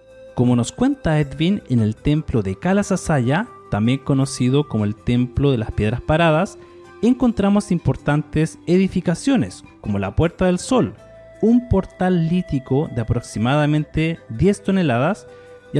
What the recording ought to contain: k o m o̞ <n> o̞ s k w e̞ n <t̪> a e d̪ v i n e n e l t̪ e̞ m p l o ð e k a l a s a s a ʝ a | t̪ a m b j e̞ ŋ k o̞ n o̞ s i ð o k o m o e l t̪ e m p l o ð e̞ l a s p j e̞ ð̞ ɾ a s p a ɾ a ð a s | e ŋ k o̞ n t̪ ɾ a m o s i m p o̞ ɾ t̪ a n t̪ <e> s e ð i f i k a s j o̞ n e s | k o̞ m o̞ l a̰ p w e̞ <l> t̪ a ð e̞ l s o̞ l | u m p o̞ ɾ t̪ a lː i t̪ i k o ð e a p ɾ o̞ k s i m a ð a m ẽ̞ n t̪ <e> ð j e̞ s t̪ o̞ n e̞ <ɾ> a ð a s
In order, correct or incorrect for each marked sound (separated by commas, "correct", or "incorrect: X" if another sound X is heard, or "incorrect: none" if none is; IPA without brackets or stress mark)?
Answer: correct, correct, correct, incorrect: ɾ, correct, incorrect: l